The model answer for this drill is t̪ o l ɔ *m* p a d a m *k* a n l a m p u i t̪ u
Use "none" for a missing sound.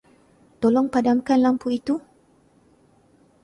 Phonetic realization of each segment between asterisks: ŋ, k

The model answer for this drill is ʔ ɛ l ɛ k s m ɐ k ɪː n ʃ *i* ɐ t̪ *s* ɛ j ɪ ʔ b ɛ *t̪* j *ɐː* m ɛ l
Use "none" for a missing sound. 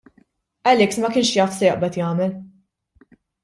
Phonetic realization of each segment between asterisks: j, s, t̪, ɐː

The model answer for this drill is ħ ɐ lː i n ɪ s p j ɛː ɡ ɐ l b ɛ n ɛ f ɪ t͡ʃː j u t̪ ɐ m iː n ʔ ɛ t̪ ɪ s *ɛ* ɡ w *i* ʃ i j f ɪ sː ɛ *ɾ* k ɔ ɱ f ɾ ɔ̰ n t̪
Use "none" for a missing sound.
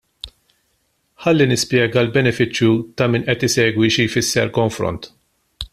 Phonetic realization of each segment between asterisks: ɛː, i, ɾ

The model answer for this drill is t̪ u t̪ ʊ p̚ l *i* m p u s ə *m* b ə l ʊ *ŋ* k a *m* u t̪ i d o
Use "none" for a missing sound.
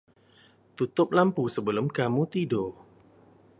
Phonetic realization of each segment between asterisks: a, none, m, m

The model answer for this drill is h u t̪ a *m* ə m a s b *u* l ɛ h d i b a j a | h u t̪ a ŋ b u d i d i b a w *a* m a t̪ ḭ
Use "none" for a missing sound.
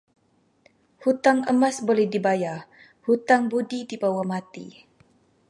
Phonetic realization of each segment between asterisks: ŋ, o, a

